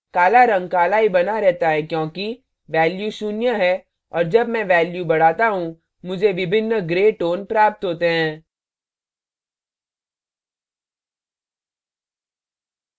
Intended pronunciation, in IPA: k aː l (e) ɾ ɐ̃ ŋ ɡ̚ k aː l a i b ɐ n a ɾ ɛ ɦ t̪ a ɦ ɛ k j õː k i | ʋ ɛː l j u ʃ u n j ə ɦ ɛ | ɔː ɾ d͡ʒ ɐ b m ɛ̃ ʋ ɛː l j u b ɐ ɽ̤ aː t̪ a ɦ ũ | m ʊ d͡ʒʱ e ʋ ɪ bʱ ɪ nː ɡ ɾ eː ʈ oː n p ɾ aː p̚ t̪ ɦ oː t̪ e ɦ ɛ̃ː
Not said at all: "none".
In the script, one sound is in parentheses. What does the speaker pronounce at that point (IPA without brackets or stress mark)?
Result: a